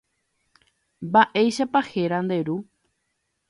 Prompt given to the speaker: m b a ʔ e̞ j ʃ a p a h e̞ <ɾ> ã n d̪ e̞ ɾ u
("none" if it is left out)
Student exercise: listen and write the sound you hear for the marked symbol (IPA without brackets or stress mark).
ɾ